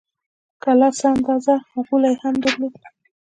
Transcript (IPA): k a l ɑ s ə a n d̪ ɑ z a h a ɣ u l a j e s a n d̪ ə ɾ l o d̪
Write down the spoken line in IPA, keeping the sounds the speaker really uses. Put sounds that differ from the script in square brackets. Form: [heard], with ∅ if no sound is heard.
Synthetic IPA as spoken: k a l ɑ s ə a n d̪ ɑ z a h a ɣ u l a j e [h] a [m] d̪ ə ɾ l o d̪